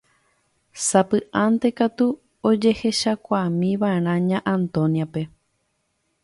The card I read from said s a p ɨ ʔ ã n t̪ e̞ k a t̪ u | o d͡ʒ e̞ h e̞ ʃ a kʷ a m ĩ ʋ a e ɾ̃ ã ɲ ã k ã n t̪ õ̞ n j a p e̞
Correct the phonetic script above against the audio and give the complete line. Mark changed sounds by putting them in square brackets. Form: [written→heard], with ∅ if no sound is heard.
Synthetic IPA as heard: s a p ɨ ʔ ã n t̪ e̞ k a t̪ u | o d͡ʒ e̞ h e̞ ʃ a kʷ a m ĩ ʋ a e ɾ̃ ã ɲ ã [k→ʔ] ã n t̪ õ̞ n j a p e̞